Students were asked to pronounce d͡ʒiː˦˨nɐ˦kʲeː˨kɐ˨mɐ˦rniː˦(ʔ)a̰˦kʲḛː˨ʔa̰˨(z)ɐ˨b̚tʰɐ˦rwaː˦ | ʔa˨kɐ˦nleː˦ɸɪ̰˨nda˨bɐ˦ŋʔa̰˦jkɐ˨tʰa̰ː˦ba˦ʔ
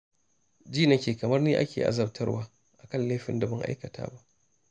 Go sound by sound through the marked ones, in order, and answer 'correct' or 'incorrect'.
correct, correct

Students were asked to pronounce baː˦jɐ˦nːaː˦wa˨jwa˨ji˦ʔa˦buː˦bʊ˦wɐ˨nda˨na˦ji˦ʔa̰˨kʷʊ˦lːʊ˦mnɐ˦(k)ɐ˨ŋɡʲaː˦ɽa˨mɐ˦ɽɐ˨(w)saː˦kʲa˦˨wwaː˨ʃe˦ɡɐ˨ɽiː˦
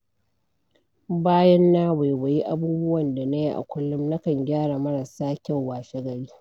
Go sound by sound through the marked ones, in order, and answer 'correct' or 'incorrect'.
correct, incorrect

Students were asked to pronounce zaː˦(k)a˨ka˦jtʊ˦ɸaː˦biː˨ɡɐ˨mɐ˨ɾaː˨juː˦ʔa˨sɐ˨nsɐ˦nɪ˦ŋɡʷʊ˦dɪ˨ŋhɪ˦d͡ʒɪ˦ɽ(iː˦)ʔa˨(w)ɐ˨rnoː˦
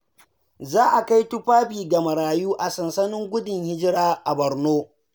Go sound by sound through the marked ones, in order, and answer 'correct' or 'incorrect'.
incorrect, incorrect, incorrect

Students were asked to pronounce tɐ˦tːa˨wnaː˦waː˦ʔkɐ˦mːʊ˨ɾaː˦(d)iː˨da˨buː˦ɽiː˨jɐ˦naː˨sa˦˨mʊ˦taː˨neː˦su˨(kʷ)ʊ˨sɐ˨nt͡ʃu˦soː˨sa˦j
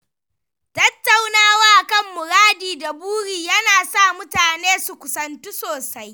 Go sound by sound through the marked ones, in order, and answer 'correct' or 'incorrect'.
correct, correct

